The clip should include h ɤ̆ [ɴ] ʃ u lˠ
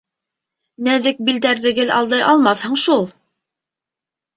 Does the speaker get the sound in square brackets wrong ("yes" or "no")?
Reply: no